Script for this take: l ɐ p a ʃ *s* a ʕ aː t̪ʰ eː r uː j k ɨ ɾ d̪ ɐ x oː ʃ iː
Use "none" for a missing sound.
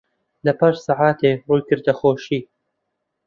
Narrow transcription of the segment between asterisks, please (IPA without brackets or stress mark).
s